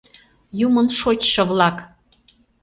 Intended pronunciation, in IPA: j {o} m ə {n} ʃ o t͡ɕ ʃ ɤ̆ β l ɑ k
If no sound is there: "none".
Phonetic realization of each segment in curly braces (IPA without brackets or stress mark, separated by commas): u, n